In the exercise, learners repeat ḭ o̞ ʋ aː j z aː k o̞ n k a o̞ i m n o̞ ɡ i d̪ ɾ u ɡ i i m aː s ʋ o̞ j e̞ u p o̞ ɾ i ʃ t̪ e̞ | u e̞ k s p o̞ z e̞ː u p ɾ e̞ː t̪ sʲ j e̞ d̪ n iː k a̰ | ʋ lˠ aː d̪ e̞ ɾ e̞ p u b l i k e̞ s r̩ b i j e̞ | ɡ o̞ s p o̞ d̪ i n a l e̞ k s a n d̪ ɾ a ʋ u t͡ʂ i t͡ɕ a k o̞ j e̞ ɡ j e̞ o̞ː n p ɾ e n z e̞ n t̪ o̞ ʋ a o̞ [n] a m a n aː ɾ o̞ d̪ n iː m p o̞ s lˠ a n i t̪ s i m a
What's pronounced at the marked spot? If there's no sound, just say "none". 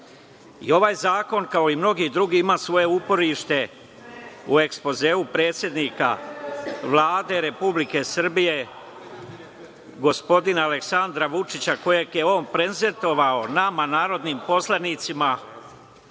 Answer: n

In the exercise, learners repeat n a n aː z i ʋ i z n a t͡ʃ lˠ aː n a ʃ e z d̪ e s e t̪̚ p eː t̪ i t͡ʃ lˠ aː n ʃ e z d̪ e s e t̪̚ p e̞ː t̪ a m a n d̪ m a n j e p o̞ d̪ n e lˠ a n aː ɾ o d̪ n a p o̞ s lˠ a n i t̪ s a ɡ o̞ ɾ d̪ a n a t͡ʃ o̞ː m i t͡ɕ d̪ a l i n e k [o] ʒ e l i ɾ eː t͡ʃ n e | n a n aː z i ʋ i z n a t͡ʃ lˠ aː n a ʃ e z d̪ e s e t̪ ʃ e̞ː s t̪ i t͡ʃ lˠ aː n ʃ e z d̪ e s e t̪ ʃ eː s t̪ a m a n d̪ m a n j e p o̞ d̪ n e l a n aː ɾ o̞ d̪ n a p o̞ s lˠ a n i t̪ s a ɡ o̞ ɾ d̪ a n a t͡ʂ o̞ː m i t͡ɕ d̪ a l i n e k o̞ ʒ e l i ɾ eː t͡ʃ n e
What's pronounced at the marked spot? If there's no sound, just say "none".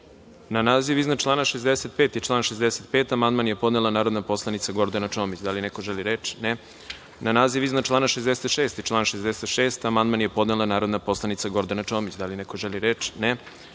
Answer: o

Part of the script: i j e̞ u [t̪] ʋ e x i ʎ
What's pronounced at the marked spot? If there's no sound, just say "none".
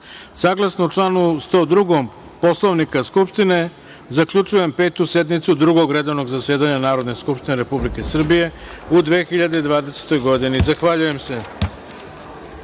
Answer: d̪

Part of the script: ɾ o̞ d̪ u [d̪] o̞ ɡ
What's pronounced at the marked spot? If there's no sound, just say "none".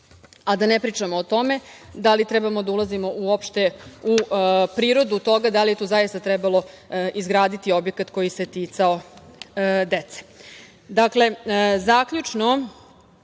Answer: t̪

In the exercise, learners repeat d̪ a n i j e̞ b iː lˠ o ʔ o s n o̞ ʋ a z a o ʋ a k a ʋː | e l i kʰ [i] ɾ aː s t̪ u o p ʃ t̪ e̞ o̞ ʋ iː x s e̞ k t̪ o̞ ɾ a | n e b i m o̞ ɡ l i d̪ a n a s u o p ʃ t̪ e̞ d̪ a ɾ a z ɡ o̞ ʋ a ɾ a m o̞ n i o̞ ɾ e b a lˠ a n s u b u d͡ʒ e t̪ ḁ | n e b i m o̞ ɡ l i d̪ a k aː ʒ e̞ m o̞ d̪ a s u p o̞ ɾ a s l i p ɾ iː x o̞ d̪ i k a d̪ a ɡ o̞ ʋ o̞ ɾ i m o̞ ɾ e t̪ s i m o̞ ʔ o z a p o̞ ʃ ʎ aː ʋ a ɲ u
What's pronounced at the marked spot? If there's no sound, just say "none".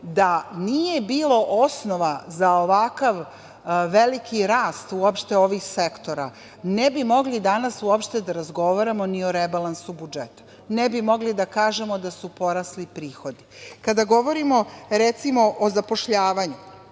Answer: i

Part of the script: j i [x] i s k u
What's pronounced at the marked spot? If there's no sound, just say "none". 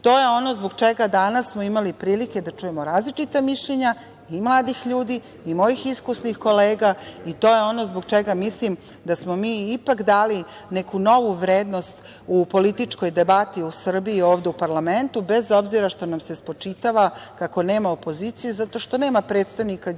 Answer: x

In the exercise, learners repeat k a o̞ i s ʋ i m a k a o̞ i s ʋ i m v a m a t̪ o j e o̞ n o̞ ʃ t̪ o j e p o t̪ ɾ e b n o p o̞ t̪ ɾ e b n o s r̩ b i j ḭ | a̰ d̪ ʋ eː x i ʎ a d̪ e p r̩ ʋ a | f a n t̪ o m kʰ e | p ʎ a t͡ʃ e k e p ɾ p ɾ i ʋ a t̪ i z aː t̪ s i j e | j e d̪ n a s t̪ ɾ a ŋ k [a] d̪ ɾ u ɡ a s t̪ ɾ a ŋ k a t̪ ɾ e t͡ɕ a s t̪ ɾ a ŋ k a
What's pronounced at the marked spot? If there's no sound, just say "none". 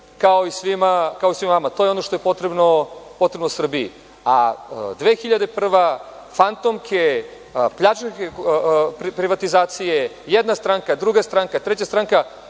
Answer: a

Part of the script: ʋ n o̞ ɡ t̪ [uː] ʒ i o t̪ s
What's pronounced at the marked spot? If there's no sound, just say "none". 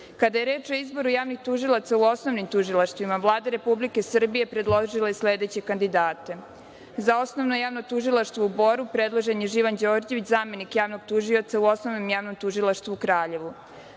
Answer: u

